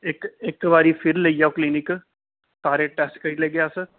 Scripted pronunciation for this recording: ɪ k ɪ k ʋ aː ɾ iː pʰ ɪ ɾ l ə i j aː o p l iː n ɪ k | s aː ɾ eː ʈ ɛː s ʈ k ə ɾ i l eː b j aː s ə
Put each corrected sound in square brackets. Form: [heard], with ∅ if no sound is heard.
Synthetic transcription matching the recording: ɪ k ɪ k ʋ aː ɾ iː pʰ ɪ ɾ l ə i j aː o [k] l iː n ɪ k | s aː ɾ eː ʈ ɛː s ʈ k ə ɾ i l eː [ɡ] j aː s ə